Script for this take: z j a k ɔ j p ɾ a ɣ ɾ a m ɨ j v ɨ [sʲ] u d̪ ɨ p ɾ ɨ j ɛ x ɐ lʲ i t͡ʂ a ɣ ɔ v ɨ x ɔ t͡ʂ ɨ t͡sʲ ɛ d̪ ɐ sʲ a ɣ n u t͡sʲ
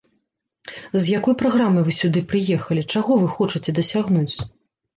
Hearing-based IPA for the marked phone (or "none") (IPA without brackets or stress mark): sʲ